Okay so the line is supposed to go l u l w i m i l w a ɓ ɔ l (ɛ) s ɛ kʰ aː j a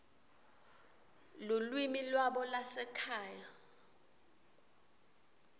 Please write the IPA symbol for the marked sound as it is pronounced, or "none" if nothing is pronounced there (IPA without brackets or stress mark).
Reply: a